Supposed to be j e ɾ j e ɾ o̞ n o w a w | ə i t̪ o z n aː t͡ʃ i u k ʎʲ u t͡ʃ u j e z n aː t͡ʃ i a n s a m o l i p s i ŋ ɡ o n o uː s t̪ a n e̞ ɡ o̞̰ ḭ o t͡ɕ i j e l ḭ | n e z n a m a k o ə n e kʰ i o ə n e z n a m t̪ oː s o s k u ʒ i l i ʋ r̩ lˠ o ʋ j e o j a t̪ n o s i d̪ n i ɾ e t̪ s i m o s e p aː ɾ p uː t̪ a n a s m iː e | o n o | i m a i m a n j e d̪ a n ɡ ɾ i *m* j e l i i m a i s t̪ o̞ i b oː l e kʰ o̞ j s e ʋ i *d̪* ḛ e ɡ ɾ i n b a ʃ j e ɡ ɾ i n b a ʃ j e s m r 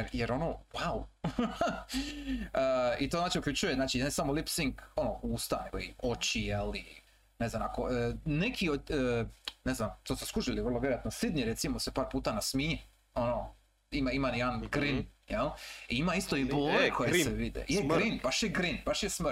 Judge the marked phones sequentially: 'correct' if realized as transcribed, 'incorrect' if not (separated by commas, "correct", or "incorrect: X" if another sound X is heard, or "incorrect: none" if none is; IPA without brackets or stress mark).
incorrect: n, correct